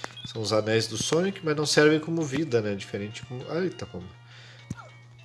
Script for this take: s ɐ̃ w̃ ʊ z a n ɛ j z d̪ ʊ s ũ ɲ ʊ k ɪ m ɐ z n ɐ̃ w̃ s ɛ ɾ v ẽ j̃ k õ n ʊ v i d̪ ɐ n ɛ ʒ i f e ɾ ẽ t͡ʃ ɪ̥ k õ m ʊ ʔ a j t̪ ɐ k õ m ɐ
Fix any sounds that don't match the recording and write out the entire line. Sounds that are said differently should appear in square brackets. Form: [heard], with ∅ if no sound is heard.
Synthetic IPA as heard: s ɐ̃ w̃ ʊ z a n ɛ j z d̪ ʊ s [õ] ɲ ʊ k ɪ m ɐ z n ɐ̃ w̃ s ɛ ɾ v ẽ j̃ k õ [m] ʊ v i d̪ ɐ n ɛ [d͡ʒ] i f e ɾ ẽ t͡ʃ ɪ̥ k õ m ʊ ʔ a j t̪ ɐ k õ m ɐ